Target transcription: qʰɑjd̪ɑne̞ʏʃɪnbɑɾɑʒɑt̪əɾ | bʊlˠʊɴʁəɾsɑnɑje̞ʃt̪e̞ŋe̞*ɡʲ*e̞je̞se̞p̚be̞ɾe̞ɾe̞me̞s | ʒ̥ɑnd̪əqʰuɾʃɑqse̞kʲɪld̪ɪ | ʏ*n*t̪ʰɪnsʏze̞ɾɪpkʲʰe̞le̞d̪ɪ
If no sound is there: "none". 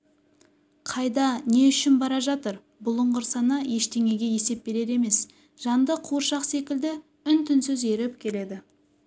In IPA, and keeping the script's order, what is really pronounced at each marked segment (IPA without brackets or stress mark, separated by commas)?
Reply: ɡʲ, n